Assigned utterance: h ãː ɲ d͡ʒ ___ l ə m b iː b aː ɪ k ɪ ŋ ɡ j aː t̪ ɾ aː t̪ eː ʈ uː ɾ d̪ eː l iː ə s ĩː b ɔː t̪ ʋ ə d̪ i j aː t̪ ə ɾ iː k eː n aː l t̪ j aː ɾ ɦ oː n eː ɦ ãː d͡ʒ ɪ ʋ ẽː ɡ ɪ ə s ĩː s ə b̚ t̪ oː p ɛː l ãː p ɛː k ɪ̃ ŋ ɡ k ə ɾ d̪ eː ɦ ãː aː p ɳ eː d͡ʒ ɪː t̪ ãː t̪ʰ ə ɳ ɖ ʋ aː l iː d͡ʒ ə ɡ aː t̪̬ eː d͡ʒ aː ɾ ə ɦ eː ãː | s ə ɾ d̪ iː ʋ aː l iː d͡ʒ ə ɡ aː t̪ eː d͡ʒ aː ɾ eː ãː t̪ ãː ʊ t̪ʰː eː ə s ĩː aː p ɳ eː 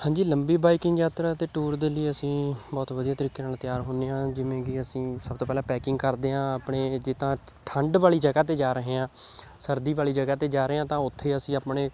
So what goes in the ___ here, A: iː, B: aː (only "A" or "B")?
A